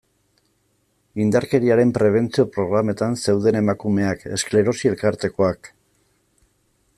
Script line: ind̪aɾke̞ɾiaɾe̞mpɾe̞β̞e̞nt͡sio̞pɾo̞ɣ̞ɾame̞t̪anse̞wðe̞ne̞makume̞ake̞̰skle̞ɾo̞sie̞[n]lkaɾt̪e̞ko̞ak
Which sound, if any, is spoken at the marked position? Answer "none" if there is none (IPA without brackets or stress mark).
none